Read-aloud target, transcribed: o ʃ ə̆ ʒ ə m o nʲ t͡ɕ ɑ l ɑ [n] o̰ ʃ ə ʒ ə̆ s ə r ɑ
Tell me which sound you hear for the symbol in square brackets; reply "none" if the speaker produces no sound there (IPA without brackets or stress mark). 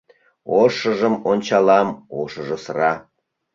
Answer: m